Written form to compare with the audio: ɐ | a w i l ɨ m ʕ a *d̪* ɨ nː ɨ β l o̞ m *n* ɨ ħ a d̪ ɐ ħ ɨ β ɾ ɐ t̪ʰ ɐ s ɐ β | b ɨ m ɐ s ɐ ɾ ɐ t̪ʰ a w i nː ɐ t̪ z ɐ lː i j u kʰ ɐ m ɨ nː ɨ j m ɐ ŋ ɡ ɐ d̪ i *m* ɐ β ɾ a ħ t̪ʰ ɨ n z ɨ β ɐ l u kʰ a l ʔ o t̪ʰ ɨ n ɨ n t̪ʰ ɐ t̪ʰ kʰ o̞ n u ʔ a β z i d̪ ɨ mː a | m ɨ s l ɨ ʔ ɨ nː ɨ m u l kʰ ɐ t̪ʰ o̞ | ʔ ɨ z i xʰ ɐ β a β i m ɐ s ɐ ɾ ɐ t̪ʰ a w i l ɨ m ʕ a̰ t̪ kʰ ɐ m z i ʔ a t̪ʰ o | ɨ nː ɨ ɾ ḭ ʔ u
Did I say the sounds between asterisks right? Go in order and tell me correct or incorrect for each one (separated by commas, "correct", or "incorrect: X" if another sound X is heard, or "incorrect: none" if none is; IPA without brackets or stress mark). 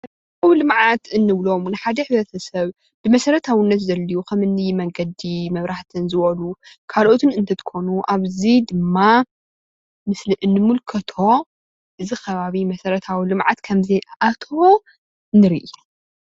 incorrect: t̪, correct, correct